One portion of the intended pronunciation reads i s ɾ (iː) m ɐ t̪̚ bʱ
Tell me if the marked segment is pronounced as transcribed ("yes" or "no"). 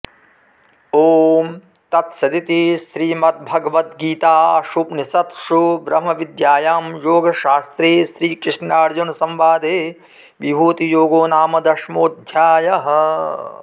yes